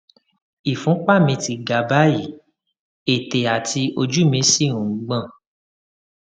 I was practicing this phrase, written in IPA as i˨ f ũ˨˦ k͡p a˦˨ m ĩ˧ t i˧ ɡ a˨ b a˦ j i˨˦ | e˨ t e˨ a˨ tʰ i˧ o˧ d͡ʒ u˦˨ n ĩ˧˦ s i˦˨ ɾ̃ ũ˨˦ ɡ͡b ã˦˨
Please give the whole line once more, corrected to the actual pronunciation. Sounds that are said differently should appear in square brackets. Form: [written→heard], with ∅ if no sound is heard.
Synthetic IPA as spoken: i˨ f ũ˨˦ k͡p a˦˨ m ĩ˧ t i˧ ɡ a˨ b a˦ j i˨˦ | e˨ t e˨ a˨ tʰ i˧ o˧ d͡ʒ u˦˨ [n→m] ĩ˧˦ s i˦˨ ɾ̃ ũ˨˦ ɡ͡b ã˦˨